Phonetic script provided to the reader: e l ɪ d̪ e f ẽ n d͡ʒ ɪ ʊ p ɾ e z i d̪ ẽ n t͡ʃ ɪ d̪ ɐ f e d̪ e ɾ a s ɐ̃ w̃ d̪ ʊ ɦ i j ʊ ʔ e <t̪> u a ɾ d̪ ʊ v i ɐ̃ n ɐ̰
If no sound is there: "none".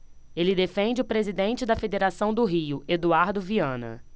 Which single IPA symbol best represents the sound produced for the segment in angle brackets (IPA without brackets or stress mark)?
d̪